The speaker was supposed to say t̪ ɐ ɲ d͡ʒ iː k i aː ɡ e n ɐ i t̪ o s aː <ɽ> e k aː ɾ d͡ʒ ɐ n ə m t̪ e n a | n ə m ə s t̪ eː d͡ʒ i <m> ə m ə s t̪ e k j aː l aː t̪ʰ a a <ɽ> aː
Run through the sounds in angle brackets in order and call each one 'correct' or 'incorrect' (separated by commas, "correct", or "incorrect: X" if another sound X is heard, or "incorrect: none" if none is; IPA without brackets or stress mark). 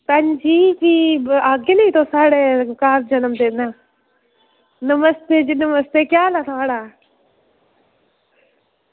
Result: correct, incorrect: n, correct